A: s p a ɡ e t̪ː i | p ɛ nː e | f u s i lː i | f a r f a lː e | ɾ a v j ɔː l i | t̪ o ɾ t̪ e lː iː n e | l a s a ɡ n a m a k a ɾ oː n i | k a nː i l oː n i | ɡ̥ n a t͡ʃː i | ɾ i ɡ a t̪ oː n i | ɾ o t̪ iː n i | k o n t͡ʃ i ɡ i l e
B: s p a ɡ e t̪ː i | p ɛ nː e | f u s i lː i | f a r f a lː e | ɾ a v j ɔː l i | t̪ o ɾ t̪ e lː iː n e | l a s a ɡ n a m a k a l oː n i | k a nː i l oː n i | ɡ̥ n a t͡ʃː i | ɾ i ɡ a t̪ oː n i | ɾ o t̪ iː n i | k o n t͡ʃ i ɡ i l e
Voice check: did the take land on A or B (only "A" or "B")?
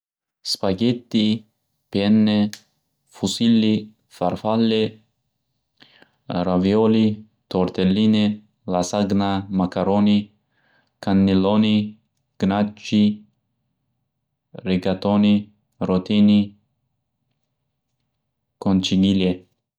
A